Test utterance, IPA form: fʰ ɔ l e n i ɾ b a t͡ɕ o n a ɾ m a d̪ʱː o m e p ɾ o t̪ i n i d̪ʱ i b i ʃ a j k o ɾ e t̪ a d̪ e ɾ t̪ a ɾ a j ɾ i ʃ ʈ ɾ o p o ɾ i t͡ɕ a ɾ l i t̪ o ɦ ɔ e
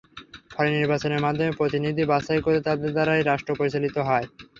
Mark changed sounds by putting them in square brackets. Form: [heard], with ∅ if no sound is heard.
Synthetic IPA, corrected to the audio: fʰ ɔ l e n i ɾ b a t͡ɕ o n [e] ɾ m a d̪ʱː o m e p ɾ o t̪ i n i d̪ʱ i b [a] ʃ a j k o ɾ e t̪ a d̪ e ɾ [d̪] a ɾ a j ɾ [a] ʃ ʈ ɾ o p o ɾ i t͡ɕ a [∅] l i t̪ o ɦ ɔ e